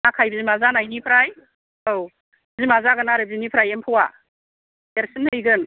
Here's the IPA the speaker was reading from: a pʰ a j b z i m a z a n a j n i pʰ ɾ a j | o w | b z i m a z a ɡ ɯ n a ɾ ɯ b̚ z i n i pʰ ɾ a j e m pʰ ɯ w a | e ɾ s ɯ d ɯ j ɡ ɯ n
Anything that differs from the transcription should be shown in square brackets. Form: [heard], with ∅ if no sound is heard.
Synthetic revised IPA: a [kʰ] a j b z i m a z a n a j n i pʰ ɾ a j | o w | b z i m a z a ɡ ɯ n a ɾ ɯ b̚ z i n i pʰ ɾ a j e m pʰ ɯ w a | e ɾ s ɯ [n] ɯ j ɡ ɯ n